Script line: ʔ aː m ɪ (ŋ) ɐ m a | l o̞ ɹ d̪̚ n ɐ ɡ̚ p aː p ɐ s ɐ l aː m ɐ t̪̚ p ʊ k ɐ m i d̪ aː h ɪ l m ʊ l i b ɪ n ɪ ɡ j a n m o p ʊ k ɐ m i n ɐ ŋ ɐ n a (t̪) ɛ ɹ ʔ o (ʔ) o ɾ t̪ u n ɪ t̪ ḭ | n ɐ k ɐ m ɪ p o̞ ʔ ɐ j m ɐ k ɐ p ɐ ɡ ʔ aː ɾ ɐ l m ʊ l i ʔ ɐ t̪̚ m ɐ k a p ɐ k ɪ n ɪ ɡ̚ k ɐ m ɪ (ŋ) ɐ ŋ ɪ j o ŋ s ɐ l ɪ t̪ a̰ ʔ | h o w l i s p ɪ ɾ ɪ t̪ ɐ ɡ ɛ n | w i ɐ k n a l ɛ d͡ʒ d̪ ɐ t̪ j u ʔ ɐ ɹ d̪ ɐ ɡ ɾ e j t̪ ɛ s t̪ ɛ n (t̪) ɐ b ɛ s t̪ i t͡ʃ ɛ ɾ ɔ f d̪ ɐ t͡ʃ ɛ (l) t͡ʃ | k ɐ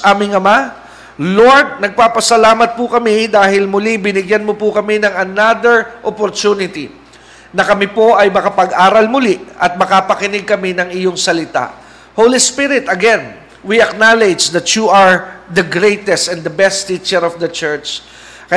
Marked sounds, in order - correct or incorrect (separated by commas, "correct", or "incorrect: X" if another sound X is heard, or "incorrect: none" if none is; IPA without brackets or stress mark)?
correct, incorrect: d̪, incorrect: p, incorrect: n, incorrect: d̪, incorrect: ɹ